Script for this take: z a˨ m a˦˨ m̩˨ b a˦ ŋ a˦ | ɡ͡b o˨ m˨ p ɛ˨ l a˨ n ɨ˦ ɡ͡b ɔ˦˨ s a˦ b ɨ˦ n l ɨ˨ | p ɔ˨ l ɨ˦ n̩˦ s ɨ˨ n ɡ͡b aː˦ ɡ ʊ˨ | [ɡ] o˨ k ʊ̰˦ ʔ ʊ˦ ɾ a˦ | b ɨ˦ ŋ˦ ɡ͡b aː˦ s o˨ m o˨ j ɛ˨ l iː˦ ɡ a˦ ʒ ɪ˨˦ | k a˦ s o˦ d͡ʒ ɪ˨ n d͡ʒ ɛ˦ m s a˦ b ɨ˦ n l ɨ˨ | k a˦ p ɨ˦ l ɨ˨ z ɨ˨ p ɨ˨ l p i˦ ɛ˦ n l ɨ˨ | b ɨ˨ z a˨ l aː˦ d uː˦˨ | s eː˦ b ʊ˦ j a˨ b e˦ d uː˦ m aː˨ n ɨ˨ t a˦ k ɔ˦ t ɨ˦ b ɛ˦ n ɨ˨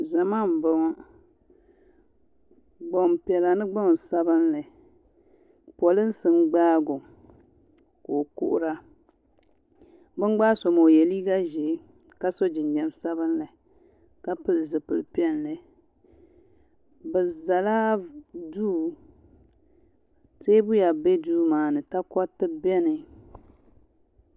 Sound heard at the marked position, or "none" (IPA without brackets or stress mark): k